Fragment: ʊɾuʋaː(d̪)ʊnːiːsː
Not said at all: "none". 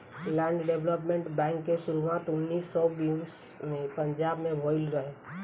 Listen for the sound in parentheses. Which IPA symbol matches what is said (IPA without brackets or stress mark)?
t̪